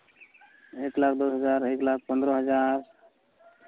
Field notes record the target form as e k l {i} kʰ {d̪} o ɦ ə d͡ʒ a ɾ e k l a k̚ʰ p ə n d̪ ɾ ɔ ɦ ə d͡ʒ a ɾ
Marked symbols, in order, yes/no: no, yes

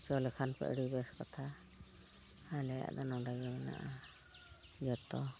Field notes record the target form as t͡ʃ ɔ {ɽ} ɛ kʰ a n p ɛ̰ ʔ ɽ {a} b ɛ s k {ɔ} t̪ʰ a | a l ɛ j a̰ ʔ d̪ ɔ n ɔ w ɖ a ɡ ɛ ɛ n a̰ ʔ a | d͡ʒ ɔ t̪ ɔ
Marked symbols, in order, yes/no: no, no, yes

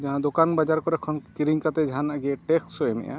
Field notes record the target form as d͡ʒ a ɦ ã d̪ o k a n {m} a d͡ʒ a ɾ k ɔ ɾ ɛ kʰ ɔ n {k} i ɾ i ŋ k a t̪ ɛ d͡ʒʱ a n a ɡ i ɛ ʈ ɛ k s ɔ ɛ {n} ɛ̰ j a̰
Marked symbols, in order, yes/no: no, yes, no

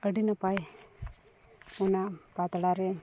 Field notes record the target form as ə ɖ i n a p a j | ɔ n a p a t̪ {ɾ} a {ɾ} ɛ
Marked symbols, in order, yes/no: no, yes

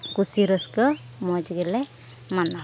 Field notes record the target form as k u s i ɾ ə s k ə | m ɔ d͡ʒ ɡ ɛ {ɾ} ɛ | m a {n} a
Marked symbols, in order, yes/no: no, yes

